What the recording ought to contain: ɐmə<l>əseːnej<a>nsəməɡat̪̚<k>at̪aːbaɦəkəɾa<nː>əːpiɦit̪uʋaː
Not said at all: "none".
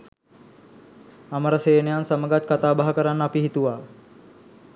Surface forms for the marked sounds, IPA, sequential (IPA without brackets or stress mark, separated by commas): ɾ, a, k, nː